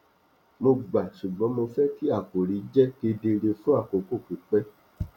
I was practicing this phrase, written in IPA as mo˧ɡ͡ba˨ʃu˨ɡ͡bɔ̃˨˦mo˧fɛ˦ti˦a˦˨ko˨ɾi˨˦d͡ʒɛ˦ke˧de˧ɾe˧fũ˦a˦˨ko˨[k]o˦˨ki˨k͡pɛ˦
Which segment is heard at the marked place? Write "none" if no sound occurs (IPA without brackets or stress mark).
k